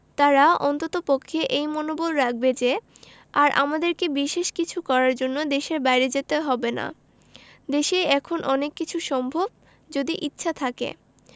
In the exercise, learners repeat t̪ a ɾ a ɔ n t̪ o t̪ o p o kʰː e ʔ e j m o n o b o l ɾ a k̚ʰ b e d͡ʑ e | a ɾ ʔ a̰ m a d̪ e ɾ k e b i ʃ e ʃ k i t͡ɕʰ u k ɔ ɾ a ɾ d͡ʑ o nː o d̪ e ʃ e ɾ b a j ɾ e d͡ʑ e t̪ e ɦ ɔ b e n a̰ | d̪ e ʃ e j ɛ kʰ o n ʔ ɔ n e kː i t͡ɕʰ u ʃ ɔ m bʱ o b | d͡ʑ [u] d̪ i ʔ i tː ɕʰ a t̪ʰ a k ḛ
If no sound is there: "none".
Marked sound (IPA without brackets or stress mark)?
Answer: o